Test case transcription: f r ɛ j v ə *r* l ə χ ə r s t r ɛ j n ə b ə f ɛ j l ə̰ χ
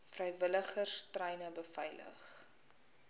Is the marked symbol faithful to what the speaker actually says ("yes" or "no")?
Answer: no